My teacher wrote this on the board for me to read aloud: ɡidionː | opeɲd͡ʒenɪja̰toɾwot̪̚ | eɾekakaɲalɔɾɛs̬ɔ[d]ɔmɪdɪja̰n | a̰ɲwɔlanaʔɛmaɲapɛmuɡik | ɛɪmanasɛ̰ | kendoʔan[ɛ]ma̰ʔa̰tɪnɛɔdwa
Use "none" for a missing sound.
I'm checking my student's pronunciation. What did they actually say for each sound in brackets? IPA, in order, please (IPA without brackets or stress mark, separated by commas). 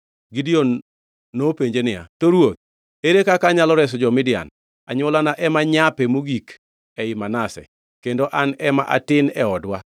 d͡ʒ, ɛ